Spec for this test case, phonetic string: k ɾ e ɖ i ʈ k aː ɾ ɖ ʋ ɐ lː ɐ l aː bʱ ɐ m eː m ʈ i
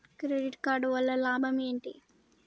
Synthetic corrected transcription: k ɾ e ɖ i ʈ k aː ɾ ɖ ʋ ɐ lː ɐ l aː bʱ ɐ m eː ɳ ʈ i

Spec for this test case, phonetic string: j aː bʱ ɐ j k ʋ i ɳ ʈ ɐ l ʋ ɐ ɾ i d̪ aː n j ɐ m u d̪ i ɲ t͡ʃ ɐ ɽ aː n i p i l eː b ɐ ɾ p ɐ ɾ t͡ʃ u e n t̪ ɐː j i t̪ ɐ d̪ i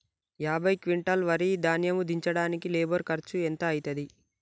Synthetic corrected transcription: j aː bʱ ɐ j k ʋ i ɳ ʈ ɐ l ʋ ɐ ɾ i d̪ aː n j ɐ m u d̪ i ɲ t͡ʃ ɐ ɽ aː n i k i l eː b ɐ ɾ k ɐ ɾ t͡ʃ u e n t̪ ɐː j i t̪ ɐ d̪ i

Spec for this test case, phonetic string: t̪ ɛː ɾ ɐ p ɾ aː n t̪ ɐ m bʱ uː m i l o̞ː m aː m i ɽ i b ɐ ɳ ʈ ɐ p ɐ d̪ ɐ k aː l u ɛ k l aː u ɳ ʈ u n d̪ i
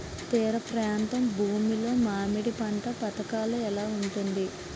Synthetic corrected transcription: t̪ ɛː ɾ ɐ p ɾ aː n t̪ ɐ m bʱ uː m i l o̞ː m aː m i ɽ i p ɐ ɳ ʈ ɐ p ɐ t̪ ɐ k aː l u ɛ l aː u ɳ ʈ u n d̪ i

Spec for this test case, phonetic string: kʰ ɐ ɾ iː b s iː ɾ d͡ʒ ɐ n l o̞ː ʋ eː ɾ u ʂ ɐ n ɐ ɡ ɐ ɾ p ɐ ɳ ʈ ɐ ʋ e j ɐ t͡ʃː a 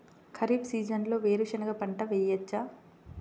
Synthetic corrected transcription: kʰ ɐ ɾ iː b s iː d͡ʒ ɐ n l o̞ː ʋ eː ɾ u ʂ ɐ n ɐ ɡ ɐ p ɐ ɳ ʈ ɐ ʋ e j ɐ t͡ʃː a

